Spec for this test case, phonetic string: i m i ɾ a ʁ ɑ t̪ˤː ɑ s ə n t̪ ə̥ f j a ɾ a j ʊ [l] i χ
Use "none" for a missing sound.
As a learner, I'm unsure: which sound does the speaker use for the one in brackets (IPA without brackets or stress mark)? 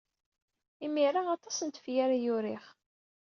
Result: ɾ